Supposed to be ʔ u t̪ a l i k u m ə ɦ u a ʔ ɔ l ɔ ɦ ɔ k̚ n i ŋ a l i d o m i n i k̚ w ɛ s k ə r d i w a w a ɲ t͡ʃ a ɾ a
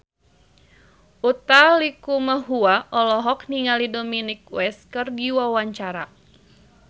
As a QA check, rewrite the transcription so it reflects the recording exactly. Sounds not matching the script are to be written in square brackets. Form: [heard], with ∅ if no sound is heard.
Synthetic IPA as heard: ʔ u t̪ a l i k u m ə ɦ u a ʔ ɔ l ɔ ɦ ɔ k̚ n i ŋ a l i d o m i n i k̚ w ɛ s k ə r d i w a w a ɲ t͡ʃ a ɾ a